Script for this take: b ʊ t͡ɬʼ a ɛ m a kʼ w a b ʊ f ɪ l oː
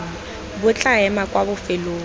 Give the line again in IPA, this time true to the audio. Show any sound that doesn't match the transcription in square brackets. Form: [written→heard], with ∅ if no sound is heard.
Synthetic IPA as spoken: b ʊ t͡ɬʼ a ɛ m a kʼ w a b ʊ f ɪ l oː

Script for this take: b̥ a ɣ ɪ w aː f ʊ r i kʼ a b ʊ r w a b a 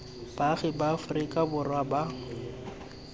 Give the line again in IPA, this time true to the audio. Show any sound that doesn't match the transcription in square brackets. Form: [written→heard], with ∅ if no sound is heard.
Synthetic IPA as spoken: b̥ a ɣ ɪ [w→b] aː f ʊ r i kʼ a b ʊ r w a b a

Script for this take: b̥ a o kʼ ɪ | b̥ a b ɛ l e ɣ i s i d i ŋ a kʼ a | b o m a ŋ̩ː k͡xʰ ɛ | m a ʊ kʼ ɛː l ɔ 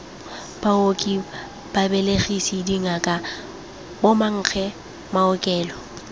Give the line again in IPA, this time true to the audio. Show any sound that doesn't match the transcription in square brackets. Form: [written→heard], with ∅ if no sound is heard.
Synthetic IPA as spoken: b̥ a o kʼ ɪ | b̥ a b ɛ l e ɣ i s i d i ŋ a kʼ a | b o m a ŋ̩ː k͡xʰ ɛ | m a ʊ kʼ ɛː l ɔ

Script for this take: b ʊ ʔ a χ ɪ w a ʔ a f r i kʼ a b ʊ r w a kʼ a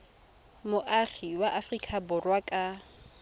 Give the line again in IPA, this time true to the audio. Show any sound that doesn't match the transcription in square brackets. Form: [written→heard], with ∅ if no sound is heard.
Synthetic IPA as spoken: [b→m] ʊ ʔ a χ [ɪ→i] w a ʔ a f r i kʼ a b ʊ r w a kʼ a

